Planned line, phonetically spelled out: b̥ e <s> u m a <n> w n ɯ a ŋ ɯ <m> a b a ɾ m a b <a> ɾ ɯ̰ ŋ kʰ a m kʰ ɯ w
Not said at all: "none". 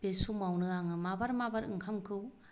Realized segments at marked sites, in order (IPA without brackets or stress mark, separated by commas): s, none, m, a